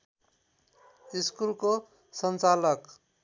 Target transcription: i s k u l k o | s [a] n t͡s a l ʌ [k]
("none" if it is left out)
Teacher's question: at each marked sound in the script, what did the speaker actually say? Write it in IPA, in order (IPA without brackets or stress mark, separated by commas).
ʌ, k